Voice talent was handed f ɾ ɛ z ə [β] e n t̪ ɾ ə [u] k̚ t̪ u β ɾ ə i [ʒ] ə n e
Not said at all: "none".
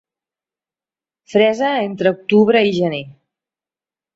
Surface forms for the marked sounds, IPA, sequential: none, u, ʒ

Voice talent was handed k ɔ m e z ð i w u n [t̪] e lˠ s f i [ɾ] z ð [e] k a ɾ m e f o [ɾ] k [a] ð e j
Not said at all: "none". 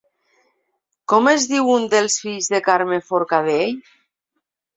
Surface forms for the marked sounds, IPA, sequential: d̪, ʎ, e, ɾ, a

